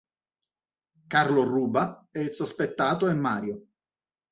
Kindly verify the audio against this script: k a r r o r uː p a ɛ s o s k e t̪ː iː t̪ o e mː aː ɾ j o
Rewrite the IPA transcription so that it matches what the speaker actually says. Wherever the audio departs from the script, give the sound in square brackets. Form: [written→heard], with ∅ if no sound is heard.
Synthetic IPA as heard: k a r [r→l] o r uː [p→b] a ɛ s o s [k→p] e t̪ː [iː→aː] t̪ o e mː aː ɾ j o